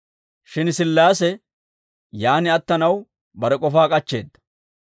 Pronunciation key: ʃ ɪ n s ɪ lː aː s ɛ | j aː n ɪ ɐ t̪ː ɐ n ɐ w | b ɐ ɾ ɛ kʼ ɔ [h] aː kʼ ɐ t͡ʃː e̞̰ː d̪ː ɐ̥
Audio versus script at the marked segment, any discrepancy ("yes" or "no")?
yes